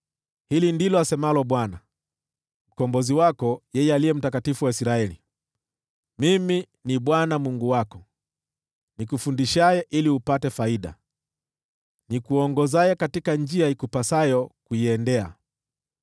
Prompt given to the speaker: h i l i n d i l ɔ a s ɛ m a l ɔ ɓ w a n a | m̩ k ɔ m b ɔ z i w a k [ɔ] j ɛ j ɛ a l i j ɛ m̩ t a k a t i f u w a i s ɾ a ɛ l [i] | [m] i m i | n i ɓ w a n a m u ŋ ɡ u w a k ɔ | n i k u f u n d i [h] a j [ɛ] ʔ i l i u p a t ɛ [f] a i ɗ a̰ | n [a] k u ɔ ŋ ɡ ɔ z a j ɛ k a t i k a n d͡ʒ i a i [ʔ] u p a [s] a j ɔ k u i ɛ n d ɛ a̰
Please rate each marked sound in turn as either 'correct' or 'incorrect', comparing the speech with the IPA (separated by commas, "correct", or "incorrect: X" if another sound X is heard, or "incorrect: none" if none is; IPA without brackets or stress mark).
correct, correct, correct, incorrect: ʃ, correct, correct, incorrect: i, incorrect: k, correct